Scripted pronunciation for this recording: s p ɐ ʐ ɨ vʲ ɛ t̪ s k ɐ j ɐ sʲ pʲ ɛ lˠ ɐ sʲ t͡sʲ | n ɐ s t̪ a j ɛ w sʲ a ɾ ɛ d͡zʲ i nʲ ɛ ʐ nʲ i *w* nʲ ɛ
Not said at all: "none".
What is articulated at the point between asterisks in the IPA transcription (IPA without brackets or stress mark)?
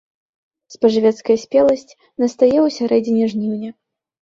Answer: w